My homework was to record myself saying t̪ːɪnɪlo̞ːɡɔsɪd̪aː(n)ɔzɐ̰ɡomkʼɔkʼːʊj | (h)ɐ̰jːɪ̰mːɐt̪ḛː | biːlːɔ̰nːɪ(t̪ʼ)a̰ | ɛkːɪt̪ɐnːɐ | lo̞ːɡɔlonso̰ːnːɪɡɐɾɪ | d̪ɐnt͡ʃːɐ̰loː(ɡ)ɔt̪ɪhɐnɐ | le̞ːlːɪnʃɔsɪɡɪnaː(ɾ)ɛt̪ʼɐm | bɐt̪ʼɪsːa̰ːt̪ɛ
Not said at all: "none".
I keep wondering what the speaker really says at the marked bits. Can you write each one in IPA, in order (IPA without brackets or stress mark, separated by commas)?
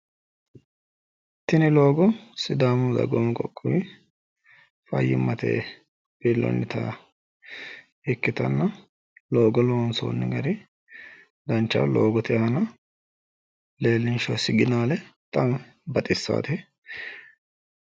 m, f, t̪, ɡ, l